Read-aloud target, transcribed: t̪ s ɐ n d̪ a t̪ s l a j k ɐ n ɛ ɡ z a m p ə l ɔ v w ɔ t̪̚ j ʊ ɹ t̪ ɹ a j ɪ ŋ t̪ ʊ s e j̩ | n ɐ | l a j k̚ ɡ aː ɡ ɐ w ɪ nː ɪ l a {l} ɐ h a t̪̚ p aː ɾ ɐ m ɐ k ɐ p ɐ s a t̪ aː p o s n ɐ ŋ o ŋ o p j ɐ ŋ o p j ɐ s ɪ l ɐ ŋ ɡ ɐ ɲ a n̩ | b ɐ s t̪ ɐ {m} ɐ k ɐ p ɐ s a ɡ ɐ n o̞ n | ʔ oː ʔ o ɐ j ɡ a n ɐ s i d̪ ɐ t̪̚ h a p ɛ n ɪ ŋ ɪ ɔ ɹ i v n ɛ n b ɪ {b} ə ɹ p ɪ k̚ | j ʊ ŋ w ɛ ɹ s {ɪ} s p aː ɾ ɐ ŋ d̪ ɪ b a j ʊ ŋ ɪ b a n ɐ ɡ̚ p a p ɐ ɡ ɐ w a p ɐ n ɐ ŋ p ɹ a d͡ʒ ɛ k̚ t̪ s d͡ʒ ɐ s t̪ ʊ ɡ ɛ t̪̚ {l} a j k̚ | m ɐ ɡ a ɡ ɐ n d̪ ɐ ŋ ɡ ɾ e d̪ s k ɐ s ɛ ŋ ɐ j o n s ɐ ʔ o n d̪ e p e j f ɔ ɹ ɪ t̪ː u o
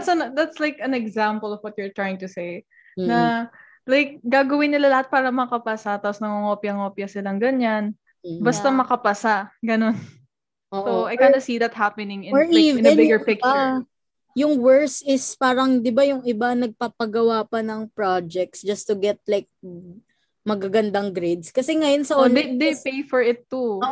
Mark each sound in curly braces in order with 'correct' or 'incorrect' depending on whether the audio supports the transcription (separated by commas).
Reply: correct, correct, incorrect, correct, correct